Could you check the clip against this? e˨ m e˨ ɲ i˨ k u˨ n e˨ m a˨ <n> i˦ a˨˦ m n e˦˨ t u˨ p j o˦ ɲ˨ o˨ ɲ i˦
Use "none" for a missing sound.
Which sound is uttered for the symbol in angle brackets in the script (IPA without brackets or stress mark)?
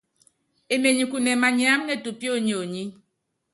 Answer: ɲ